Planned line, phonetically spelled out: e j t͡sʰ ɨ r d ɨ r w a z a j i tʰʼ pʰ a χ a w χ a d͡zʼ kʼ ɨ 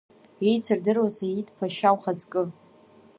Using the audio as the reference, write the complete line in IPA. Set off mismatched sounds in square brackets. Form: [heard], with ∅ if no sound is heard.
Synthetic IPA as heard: e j t͡sʰ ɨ r d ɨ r w a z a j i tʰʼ pʰ a [ʃ] a w χ a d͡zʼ kʼ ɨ